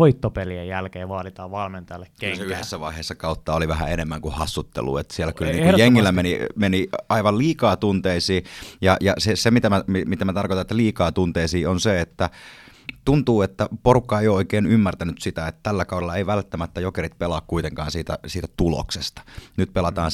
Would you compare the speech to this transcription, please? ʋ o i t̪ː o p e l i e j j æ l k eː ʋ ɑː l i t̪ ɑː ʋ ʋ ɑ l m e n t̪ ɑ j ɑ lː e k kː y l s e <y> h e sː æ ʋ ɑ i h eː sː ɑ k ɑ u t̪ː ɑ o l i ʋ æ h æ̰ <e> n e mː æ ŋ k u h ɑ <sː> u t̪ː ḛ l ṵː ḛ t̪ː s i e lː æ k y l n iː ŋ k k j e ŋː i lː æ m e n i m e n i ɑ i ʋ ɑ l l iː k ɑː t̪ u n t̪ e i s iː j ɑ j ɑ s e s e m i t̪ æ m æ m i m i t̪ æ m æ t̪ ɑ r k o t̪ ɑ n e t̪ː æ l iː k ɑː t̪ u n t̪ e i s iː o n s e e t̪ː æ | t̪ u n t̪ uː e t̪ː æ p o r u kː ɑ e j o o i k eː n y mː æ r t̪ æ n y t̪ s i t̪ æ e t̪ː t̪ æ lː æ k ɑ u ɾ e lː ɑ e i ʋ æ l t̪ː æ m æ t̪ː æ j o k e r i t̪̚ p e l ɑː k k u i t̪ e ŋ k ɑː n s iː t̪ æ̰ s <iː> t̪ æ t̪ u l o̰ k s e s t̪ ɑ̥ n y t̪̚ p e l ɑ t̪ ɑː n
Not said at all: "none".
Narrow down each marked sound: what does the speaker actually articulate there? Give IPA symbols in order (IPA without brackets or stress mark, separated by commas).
y, e, sː, iː